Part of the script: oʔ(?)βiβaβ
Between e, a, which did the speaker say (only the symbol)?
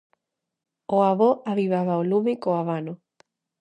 a